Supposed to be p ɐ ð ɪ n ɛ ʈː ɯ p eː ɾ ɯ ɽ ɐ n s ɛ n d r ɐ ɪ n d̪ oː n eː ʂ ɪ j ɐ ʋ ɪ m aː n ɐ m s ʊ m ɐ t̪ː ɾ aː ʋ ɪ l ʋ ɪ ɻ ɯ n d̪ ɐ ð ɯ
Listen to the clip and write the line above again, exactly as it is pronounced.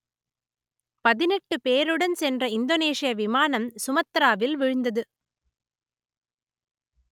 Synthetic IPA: p ɐ ð ɪ n ɛ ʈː ɯ p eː ɾ ɯ ɽ ɐ n s ɛ n d r ɐ ɪ n d̪ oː n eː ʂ ɪ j ɐ ʋ ɪ m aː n ɐ m s ʊ m ɐ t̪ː ɾ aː ʋ ɪ l ʋ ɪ ɻ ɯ n d̪ ɐ ð ɯ